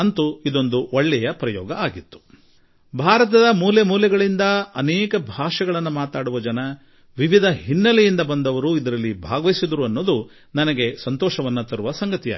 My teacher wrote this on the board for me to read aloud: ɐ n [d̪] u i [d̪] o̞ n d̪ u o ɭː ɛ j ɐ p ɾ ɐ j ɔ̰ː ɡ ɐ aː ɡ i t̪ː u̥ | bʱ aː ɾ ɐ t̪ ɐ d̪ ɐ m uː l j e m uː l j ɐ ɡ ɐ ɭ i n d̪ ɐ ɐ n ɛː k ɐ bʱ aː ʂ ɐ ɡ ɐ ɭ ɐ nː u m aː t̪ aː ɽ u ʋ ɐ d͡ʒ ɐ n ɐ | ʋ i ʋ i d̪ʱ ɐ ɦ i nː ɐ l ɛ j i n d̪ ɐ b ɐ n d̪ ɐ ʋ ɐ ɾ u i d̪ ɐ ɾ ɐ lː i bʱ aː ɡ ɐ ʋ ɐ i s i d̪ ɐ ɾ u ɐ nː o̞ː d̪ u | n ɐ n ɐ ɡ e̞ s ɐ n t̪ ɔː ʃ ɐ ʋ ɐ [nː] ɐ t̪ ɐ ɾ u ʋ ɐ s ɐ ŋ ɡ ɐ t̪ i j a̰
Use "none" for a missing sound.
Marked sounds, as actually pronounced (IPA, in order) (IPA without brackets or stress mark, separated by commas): t̪, d̪, nː